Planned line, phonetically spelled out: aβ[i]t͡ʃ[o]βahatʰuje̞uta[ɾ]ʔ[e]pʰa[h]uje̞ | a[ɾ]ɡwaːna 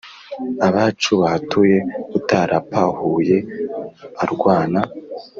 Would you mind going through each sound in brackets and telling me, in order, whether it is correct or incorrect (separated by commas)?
incorrect, incorrect, correct, incorrect, correct, correct